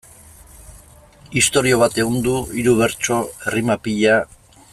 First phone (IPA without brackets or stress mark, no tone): i